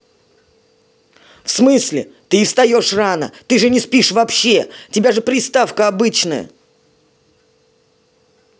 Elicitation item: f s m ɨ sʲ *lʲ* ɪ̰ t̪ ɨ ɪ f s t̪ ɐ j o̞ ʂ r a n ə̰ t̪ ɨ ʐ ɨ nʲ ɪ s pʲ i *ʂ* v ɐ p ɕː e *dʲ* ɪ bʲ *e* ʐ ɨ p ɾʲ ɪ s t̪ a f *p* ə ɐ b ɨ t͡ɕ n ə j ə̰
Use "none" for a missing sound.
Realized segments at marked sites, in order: lʲ, ʂ, tʲ, a, k

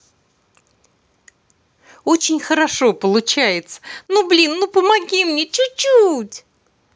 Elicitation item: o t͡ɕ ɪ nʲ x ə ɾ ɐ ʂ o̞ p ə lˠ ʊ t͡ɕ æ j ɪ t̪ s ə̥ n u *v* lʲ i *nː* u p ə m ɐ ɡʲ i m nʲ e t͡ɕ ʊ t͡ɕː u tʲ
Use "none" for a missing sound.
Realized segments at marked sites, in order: b, nː

